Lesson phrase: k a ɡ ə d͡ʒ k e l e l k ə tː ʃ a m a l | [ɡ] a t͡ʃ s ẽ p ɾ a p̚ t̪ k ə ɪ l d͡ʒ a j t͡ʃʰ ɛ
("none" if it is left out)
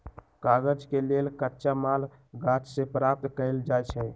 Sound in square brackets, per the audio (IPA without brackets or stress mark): ɡ